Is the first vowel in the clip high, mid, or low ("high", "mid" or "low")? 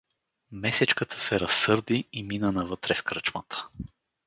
mid